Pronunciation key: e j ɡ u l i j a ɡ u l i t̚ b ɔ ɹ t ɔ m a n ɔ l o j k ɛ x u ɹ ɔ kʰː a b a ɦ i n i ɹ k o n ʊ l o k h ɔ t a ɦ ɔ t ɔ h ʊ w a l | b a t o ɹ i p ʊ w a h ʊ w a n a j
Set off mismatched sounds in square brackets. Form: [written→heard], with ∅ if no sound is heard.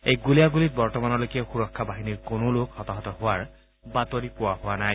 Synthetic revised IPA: e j ɡ u l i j a ɡ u l i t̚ b ɔ ɹ t ɔ m a n ɔ l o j k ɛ x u ɹ ɔ kʰː a b a ɦ i n i ɹ k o n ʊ l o k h ɔ t a ɦ ɔ t ɔ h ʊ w a [l→ɹ] | b a t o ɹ i p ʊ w a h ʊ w a n a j